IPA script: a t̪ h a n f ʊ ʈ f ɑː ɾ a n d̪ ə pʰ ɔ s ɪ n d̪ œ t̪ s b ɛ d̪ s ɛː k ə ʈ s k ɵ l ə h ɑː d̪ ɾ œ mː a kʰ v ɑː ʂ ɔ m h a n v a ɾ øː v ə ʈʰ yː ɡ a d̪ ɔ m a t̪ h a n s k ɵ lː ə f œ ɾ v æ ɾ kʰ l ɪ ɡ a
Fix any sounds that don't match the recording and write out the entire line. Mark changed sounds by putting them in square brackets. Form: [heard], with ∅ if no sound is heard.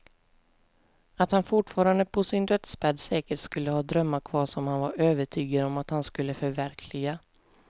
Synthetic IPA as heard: a t̪ h a n f ʊ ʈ f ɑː ɾ a n d̪ ə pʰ ɔ s ɪ n d̪ œ t̪ s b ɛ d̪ s ɛː k ə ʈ s k ɵ [lː] ə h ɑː d̪ ɾ œ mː a kʰ v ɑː ʂ ɔ m h a n v a ɾ øː v ə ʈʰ yː ɡ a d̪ ɔ m a t̪ h a n s k ɵ lː ə f œ ɾ v æ ɾ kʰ l ɪ ɡ a